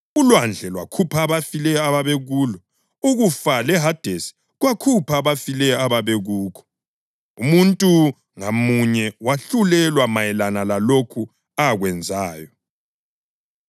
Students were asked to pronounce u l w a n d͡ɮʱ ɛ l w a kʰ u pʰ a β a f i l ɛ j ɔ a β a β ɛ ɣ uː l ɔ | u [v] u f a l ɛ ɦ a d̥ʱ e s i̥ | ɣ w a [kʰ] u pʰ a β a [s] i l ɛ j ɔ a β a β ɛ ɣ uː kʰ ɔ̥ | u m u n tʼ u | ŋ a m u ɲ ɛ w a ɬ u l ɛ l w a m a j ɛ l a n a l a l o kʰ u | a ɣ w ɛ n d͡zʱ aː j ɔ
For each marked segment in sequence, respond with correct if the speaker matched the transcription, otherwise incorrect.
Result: incorrect, correct, incorrect

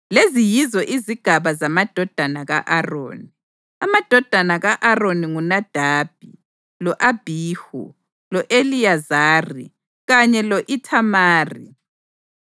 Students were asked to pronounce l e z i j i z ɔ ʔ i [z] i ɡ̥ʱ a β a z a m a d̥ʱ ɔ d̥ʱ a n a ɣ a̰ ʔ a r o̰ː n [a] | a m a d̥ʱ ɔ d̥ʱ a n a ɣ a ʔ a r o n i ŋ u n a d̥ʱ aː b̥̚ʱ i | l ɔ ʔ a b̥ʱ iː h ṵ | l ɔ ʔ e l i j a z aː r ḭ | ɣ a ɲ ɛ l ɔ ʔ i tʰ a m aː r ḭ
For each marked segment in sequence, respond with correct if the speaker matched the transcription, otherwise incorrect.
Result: correct, incorrect

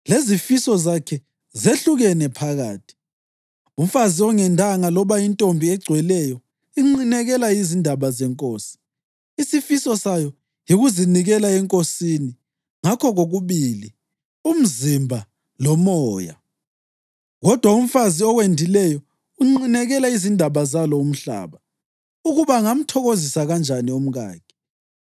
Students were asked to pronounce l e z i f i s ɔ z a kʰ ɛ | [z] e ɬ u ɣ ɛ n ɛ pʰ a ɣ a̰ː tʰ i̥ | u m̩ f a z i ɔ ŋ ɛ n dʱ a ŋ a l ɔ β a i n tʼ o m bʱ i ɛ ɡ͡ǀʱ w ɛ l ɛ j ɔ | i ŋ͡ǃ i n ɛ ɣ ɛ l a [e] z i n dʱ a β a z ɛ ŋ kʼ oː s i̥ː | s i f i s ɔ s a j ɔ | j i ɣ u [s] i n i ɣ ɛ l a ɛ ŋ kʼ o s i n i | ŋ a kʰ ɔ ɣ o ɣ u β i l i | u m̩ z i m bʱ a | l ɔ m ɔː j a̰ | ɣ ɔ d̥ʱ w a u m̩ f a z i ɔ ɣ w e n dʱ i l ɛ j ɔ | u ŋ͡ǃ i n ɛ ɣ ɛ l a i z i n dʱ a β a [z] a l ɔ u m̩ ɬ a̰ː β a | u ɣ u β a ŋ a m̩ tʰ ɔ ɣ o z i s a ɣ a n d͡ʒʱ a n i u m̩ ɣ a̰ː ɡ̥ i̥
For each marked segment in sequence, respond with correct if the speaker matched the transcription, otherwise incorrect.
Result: correct, incorrect, incorrect, correct

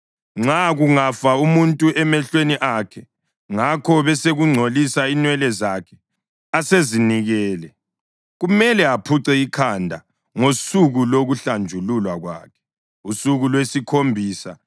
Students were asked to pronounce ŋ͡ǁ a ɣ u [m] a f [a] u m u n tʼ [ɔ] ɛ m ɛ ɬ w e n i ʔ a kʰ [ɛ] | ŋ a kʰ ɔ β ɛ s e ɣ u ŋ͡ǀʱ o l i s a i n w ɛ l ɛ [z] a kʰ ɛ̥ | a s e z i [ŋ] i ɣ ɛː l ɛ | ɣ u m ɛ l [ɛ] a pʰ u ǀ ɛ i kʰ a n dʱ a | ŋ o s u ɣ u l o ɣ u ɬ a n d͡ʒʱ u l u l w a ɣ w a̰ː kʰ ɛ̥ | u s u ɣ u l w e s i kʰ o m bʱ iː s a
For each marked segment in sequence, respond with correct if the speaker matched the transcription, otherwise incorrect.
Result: incorrect, correct, incorrect, correct, correct, incorrect, correct

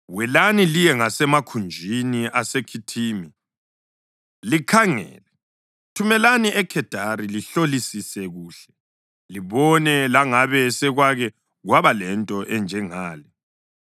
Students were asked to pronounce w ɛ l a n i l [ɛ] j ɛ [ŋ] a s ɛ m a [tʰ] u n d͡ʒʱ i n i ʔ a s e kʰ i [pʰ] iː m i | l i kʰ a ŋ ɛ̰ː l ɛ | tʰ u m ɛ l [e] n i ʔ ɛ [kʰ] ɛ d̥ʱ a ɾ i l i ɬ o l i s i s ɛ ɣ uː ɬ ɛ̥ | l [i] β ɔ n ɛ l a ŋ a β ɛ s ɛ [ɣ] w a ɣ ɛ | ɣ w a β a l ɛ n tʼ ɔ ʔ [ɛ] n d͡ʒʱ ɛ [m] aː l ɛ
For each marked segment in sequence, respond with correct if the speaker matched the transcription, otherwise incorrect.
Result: incorrect, correct, incorrect, incorrect, incorrect, correct, correct, correct, correct, incorrect

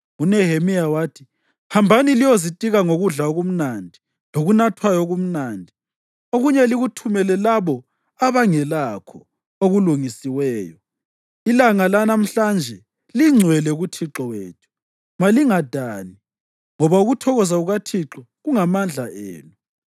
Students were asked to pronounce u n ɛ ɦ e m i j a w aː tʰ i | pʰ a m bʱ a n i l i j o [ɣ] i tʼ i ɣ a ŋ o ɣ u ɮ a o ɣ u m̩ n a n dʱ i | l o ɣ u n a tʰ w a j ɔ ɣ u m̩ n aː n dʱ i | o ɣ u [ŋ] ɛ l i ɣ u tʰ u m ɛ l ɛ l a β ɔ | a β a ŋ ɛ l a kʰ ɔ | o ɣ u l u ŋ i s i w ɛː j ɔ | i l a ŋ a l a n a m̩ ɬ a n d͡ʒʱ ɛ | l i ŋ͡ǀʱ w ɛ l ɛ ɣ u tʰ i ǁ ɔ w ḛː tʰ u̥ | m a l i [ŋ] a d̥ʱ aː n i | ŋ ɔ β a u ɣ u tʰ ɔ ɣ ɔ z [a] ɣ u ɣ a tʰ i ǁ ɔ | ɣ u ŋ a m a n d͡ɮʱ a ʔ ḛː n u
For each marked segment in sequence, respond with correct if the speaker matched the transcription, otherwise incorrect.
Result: incorrect, incorrect, correct, correct

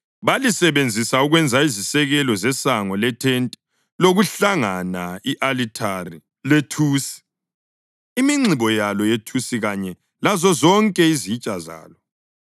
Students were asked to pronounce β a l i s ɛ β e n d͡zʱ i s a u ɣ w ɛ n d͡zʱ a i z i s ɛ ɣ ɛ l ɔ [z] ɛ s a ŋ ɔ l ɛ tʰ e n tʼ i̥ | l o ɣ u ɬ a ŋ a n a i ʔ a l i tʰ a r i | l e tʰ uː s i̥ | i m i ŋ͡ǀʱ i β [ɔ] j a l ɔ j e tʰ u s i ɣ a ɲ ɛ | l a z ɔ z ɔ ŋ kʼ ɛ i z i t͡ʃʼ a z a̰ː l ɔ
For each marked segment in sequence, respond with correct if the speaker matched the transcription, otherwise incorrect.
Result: correct, correct

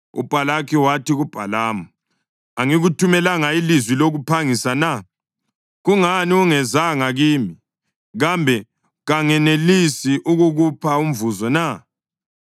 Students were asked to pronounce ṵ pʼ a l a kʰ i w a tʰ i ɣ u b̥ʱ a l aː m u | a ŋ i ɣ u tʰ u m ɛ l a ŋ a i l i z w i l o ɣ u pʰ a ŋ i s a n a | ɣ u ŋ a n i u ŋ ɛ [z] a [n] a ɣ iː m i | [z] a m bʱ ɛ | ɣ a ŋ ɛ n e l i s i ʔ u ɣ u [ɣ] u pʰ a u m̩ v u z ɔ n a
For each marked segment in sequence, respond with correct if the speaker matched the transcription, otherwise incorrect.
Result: correct, incorrect, incorrect, correct

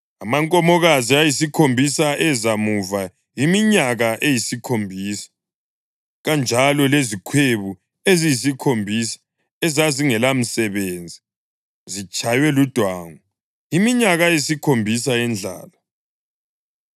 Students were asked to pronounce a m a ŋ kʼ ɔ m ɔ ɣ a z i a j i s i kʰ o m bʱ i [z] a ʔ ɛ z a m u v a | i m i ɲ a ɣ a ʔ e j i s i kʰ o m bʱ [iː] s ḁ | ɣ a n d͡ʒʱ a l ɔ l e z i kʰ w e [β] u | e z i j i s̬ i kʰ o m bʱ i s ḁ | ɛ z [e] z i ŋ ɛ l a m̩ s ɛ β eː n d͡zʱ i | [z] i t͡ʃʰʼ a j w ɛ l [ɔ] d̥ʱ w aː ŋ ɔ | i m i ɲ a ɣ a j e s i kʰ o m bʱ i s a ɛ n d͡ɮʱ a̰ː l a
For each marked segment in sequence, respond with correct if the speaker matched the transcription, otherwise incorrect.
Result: incorrect, correct, correct, incorrect, correct, incorrect

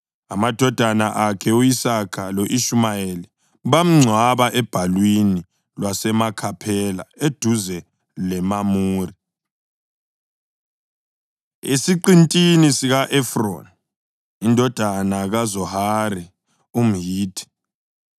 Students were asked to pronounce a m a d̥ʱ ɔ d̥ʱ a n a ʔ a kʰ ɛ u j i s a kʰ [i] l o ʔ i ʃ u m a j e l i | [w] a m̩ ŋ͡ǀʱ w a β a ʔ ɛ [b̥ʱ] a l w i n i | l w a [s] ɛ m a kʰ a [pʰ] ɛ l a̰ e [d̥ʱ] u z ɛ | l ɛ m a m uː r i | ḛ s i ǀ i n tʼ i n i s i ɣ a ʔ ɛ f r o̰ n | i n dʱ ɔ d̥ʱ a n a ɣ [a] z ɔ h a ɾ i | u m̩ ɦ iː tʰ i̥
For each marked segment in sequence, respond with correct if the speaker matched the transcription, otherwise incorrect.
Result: incorrect, incorrect, correct, correct, correct, correct, correct

